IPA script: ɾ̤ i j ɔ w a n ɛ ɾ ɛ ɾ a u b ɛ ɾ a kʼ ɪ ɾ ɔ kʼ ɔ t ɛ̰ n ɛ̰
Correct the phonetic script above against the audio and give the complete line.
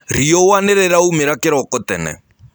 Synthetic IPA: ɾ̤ i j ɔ w a n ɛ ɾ ɛ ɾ a u m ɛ ɾ a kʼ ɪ ɾ ɔ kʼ ɔ t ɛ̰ n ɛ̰